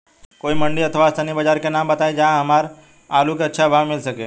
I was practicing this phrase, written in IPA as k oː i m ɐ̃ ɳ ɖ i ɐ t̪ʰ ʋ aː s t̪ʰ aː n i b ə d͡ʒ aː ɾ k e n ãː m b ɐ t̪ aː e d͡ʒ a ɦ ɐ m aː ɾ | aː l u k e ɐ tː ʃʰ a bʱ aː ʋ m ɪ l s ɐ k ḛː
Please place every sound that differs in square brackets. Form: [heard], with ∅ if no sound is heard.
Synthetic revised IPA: k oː i m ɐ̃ ɳ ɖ i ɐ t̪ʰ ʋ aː s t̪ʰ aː n i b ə d͡ʒ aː ɾ k e n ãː m b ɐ t̪ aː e d͡ʒ a ɦ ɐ m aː ɾ | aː l u k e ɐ tː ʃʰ a bʱ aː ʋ m ɪ l s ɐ k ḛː